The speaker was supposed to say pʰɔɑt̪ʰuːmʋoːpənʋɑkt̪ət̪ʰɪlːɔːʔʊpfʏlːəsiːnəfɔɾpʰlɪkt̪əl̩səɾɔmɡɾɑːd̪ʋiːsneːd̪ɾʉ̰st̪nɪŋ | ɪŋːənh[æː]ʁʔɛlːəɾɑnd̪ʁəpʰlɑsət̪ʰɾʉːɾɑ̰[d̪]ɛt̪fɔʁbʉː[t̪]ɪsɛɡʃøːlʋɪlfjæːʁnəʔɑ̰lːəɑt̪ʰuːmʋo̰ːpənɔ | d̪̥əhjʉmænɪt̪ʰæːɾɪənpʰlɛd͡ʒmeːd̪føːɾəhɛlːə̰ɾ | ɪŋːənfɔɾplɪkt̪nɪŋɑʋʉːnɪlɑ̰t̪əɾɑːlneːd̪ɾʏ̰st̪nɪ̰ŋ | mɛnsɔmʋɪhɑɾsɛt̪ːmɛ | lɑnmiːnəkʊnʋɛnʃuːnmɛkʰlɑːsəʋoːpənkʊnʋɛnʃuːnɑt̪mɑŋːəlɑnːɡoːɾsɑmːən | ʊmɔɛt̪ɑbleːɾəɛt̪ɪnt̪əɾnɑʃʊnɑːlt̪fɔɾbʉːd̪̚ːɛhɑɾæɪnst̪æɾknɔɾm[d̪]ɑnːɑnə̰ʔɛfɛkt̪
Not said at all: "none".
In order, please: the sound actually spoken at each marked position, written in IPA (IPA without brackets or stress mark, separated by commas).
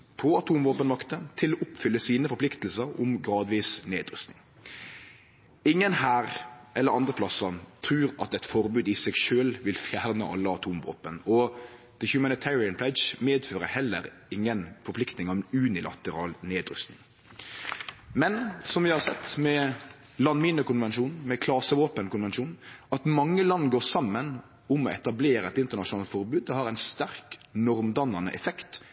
æː, t̪, d̪, d̪